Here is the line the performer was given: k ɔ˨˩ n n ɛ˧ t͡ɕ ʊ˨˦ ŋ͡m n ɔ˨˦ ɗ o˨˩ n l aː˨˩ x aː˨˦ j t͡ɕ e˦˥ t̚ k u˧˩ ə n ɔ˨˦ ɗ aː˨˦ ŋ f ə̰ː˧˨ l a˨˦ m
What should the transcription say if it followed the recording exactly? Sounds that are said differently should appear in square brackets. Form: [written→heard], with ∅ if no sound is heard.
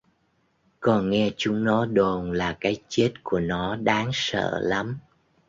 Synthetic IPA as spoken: k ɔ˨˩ n [n→ŋ] ɛ˧ t͡ɕ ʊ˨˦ ŋ͡m n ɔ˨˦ ɗ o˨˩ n l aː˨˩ [x→k] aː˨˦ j t͡ɕ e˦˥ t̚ k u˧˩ ə n ɔ˨˦ ɗ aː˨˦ ŋ [f→s] ə̰ː˧˨ l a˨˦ m